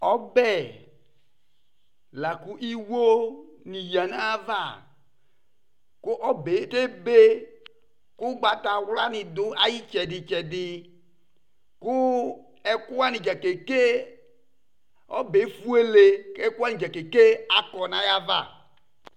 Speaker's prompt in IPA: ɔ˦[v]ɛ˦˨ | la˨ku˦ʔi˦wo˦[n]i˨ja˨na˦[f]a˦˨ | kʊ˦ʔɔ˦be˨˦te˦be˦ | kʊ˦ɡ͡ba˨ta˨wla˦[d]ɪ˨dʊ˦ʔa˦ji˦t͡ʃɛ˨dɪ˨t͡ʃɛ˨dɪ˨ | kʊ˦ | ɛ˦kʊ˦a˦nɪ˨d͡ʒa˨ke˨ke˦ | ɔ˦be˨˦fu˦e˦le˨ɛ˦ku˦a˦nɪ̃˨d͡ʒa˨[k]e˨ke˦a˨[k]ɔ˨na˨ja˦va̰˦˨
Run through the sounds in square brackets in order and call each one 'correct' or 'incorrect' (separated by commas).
incorrect, correct, incorrect, incorrect, correct, correct